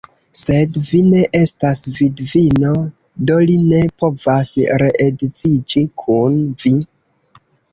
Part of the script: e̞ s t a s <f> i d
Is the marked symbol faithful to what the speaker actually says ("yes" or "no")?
no